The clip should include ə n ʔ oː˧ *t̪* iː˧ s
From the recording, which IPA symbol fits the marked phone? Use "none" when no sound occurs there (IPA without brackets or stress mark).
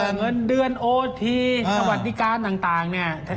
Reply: t̪ʰ